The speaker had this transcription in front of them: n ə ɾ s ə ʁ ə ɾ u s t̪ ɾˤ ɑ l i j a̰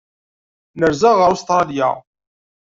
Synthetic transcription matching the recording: n ə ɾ z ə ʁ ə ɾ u s t̪ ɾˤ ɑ l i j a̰